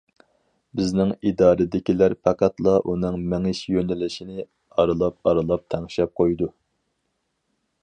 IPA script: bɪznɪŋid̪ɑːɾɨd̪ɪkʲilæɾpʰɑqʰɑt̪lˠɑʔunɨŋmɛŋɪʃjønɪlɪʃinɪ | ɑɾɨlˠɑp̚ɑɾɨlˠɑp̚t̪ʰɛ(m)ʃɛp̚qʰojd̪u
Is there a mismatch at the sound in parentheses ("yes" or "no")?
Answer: yes